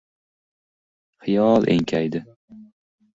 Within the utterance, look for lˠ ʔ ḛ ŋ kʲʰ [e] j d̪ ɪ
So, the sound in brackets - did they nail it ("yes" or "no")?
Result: no